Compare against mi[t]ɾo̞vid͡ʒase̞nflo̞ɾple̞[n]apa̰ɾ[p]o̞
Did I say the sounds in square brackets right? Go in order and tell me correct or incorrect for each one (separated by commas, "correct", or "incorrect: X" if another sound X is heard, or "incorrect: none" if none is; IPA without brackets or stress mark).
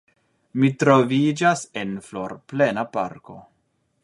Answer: correct, correct, incorrect: k